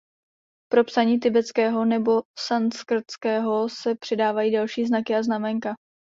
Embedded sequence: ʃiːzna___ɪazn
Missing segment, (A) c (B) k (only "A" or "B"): B